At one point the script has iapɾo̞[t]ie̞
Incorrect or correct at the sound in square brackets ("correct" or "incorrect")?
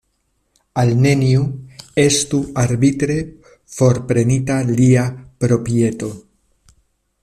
incorrect